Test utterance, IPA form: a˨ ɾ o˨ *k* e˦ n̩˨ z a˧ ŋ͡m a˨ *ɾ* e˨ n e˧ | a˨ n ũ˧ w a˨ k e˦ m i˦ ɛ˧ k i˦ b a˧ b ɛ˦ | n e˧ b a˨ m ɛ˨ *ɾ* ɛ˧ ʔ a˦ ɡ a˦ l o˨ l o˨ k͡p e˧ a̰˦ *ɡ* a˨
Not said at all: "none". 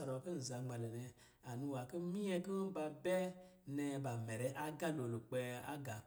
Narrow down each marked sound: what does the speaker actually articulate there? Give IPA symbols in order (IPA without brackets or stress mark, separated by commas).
k, l, ɾ, ɡ